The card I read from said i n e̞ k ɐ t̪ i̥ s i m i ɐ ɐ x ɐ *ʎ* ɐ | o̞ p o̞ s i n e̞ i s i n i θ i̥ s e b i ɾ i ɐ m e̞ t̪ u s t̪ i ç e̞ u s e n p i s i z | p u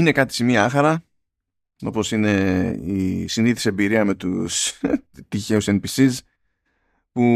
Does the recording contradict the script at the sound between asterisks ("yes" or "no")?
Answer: yes